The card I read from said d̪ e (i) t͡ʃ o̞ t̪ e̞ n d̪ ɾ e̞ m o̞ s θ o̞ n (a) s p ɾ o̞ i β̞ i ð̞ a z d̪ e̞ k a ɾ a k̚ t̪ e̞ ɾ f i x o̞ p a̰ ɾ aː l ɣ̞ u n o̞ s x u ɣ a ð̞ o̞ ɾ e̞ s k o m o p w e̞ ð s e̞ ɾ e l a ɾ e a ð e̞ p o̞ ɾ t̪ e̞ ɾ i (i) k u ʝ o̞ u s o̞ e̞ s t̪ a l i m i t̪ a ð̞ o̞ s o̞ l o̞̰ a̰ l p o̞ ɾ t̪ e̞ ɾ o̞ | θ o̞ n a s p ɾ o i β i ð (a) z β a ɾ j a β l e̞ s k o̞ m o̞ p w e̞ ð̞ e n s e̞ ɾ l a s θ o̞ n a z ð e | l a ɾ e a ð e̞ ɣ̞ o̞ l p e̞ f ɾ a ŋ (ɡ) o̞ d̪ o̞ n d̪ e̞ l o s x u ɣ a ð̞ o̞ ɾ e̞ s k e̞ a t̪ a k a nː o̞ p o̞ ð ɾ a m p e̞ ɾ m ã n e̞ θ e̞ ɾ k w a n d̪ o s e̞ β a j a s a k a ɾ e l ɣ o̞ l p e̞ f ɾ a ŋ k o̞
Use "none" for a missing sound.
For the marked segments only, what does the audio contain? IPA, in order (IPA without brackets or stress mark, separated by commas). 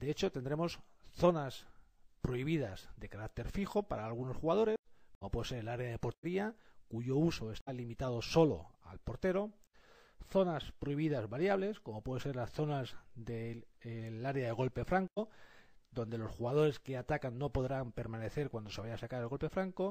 e, a, a, a, k